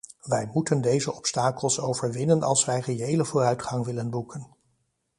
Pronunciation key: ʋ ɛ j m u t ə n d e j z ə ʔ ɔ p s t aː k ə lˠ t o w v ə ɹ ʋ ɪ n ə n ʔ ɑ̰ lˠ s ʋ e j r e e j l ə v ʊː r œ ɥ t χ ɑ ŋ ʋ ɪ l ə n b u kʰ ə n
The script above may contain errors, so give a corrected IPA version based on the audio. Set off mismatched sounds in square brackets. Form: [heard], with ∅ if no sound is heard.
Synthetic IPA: ʋ ɛ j m u t ə n d e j z ə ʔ ɔ p s t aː k ə lˠ [s] o w v ə ɹ ʋ ɪ n ə n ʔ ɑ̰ lˠ s ʋ [ɛ] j r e e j l ə v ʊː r œ ɥ t χ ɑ ŋ ʋ ɪ l ə n b u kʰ ə n